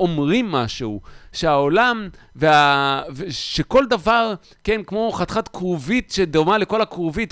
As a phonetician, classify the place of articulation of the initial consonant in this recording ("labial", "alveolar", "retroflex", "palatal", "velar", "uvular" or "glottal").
labial